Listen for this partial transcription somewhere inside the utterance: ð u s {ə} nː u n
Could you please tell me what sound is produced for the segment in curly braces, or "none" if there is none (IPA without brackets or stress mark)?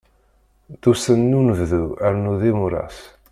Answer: ə